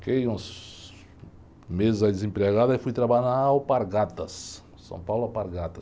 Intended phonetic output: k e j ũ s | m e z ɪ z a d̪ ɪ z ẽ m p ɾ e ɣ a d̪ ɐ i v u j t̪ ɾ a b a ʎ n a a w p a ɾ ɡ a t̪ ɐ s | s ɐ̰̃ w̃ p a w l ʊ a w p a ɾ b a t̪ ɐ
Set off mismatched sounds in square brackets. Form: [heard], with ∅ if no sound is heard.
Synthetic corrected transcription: k e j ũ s | m e z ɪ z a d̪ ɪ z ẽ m p ɾ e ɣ a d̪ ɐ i [f] u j t̪ ɾ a b a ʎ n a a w p a ɾ ɡ a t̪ ɐ s | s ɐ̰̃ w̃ p a w l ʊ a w p a ɾ [ɡ] a t̪ ɐ

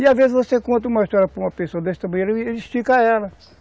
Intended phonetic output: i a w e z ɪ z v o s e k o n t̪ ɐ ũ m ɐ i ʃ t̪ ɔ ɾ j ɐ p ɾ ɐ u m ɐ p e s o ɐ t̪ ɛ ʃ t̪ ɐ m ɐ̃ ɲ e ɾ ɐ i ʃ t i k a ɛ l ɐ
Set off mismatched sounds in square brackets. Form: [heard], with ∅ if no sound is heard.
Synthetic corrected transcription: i a [v] e z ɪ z v o s e k [õ] n t̪ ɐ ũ m ɐ i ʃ t̪ ɔ ɾ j ɐ p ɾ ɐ u m ɐ p e s o ɐ [d̪] ɛ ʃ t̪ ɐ m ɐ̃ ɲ e ɾ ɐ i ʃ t i k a ɛ l ɐ

